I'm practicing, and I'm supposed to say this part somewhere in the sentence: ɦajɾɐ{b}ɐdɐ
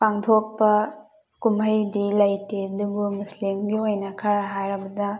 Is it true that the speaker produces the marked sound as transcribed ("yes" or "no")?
yes